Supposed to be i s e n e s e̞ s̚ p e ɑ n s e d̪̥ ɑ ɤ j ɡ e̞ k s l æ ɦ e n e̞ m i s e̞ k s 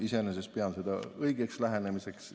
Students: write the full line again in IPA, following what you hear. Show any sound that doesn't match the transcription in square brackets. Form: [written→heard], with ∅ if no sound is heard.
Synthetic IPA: i s e n e s e̞ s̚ p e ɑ n s e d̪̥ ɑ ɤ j ɡ e̞ k s l æ ɦ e n e̞ m i s e̞ k s